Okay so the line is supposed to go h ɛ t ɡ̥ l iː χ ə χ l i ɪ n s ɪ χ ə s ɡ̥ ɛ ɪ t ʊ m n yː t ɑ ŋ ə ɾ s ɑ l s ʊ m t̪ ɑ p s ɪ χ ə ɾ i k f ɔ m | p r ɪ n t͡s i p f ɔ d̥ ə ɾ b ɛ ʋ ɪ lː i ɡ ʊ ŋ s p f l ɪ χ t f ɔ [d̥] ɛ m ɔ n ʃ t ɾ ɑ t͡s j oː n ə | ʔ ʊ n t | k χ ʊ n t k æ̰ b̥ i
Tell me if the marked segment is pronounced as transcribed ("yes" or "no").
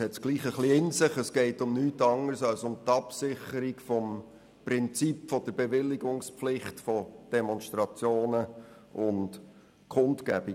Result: yes